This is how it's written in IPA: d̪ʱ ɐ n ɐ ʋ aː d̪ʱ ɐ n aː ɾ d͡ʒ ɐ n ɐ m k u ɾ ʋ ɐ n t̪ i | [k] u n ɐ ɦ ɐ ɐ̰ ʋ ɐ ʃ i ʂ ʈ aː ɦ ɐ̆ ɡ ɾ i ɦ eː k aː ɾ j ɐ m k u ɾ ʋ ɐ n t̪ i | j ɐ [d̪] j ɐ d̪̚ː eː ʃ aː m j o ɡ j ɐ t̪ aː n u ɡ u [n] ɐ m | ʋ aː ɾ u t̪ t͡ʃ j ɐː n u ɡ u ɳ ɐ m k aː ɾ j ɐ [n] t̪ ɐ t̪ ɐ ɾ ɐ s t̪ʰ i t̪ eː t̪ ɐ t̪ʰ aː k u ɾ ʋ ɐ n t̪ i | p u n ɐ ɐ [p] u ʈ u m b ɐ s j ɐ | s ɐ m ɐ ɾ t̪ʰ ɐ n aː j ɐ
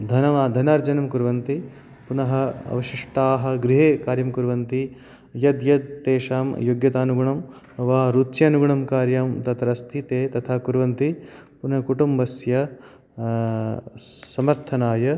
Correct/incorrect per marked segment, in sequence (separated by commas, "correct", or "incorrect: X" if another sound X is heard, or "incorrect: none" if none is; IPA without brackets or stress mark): incorrect: p, correct, incorrect: ɳ, incorrect: m, incorrect: k